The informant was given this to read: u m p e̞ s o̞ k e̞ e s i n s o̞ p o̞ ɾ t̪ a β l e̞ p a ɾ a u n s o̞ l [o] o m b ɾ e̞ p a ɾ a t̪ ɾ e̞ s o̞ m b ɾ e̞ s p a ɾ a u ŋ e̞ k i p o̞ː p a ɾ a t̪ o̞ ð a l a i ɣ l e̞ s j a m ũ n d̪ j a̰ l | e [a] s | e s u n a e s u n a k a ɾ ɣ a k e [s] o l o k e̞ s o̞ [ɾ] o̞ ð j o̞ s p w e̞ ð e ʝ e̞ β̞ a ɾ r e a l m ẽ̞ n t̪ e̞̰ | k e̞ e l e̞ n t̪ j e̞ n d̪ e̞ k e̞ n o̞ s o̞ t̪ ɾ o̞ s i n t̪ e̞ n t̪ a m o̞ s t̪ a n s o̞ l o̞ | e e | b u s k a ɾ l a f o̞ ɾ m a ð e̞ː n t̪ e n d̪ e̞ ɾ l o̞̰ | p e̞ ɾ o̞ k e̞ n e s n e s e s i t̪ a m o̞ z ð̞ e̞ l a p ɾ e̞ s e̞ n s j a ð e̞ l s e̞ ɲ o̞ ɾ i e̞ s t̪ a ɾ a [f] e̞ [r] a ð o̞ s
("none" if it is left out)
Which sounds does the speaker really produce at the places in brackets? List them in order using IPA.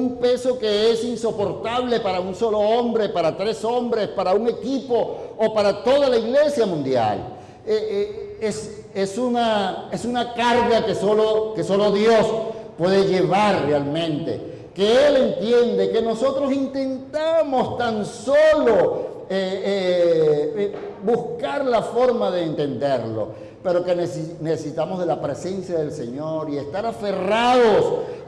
o, e, s, l, f, r

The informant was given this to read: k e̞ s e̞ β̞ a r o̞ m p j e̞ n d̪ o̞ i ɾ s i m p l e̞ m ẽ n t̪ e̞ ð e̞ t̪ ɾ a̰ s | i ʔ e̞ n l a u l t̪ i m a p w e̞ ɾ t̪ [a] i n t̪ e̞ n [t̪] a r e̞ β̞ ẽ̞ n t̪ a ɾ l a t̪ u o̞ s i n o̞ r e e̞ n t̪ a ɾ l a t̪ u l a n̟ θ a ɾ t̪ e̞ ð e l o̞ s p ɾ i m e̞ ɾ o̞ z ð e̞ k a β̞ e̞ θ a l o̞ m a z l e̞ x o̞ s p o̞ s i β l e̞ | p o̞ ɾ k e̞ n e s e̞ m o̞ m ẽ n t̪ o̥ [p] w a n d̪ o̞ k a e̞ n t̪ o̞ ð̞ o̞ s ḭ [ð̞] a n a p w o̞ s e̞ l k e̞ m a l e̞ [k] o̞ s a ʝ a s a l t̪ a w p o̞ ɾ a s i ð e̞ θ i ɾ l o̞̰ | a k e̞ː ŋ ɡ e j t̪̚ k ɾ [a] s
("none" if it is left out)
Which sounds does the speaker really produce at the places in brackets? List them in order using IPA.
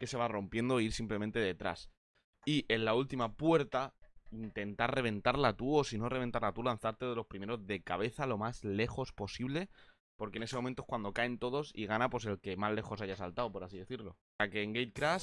a, t̪, k, ɣ̞, x, a

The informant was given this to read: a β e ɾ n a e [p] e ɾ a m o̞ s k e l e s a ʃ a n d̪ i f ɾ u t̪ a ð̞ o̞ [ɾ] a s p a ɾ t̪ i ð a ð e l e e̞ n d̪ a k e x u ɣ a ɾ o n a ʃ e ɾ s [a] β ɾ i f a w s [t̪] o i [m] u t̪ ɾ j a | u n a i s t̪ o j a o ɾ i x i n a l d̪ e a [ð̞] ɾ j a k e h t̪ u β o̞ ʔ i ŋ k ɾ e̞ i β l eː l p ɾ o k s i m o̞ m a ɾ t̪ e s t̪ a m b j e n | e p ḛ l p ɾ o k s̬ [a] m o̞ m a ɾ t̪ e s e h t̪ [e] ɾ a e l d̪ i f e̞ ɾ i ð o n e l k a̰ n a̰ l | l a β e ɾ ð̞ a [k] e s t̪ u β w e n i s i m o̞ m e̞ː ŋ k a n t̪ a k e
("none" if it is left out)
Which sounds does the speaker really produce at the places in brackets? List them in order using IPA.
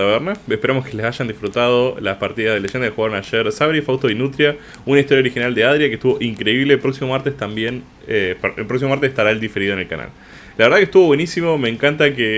p, l, a, t̪, n, ð̞, i, a, k

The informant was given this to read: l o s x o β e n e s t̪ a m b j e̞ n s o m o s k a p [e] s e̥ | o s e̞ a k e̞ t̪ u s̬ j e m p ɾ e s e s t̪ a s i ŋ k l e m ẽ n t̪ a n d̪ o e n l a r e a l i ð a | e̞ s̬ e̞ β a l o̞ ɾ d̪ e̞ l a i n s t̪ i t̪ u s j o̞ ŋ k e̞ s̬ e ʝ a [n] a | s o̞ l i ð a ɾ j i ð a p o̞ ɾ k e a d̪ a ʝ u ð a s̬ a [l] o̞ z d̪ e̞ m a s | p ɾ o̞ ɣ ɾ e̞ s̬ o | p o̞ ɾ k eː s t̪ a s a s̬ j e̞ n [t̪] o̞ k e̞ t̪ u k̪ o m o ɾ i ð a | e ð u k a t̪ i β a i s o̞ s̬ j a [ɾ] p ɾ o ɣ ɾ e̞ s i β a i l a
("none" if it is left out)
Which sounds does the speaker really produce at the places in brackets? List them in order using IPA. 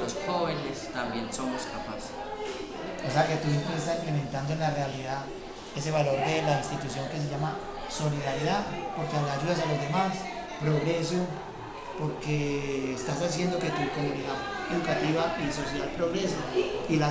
a, m, l, d̪, l

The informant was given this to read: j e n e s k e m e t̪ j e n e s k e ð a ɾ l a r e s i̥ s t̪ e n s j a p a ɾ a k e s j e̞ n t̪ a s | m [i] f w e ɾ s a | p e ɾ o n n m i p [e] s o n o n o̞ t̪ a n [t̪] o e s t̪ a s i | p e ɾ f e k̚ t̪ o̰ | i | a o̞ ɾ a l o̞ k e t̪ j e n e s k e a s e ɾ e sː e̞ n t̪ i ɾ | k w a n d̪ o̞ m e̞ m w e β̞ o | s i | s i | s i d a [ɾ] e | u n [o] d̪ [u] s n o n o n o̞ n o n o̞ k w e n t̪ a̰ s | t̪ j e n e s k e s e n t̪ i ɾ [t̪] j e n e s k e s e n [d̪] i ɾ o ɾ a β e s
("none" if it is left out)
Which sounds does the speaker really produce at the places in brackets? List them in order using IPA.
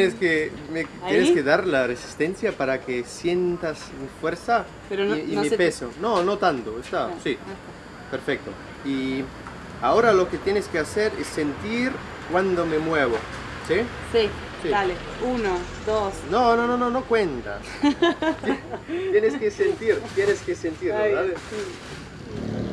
i, e, t̪, l, o, o, t̪, t̪

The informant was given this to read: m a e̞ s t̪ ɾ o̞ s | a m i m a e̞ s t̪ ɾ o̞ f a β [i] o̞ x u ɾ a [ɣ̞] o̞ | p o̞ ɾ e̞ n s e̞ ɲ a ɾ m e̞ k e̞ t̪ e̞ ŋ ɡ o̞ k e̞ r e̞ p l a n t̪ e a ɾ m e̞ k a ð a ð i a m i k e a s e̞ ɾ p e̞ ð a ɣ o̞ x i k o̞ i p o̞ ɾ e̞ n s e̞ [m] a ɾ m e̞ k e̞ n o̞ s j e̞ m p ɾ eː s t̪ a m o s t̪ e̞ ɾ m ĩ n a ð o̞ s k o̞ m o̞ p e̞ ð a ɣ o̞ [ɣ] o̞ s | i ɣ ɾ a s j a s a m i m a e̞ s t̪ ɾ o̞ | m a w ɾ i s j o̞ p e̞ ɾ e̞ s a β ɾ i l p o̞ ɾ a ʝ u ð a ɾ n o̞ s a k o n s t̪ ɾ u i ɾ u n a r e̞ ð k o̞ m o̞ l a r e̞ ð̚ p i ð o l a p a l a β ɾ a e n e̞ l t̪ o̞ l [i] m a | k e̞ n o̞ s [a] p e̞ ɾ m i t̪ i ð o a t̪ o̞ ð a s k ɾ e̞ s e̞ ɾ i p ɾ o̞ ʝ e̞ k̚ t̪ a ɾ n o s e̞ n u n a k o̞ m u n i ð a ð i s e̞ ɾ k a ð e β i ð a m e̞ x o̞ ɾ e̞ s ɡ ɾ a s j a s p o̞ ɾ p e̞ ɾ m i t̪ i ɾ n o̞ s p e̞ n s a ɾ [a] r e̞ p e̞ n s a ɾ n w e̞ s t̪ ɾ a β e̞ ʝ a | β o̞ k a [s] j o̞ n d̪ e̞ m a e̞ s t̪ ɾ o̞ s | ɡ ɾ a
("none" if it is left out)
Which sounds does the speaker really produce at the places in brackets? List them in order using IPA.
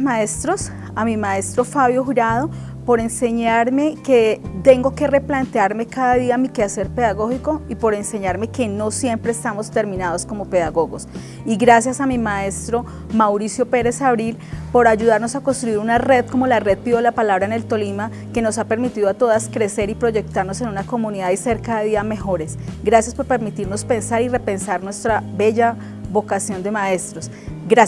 j, ð̞, ɲ, ɣ, i, a, i, s

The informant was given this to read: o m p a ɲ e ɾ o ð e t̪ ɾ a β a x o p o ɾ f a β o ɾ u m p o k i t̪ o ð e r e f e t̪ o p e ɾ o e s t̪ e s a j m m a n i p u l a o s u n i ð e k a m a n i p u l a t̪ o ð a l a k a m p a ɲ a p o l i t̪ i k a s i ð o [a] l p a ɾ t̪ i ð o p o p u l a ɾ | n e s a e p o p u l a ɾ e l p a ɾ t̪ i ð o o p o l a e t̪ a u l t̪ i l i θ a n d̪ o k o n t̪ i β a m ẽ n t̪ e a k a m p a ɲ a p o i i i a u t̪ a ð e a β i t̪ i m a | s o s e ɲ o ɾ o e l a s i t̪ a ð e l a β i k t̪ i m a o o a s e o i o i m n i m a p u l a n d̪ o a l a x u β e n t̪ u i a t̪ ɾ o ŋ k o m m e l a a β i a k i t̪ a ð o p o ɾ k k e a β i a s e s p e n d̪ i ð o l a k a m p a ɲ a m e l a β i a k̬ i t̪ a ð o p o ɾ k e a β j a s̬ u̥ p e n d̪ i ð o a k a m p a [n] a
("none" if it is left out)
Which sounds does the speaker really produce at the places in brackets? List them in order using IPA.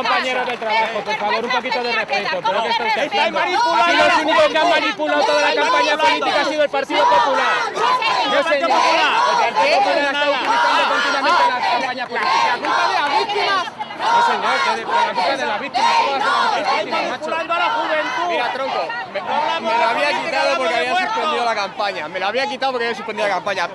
e, ɲ

